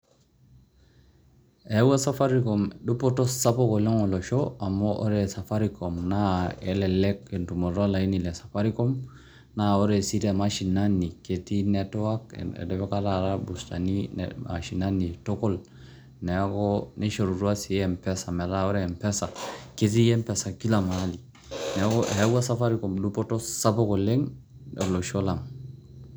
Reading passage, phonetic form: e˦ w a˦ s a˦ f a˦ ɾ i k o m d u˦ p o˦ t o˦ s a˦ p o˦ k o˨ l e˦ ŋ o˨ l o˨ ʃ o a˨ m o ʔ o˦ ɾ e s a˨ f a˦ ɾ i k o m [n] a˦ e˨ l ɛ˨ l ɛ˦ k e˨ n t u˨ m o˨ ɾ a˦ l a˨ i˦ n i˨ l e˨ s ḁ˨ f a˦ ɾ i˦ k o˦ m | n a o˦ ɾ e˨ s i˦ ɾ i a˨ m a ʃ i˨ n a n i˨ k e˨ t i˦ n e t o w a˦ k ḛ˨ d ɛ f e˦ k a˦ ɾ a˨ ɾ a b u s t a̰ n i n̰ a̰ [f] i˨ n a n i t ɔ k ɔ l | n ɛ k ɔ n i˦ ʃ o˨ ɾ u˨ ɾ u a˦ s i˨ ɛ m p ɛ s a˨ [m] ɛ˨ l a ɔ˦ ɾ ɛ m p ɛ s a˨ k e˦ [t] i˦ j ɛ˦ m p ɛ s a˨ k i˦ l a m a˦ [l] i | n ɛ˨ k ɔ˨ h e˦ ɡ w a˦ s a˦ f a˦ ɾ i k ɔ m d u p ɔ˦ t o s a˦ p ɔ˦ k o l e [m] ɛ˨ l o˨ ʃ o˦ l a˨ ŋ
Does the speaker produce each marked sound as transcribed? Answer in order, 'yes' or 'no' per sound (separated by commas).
yes, no, yes, yes, yes, no